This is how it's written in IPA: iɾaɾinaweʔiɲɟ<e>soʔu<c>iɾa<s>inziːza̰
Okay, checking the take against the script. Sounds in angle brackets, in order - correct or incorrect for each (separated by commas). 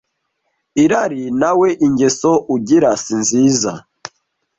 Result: correct, incorrect, correct